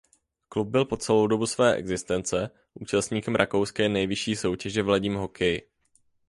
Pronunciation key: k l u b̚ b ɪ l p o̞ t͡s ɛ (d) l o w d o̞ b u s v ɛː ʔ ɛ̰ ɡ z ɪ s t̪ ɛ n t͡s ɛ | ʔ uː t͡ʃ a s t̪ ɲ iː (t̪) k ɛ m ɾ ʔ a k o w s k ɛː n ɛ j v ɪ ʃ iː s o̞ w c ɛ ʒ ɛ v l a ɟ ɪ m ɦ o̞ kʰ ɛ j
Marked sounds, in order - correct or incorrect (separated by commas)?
incorrect, incorrect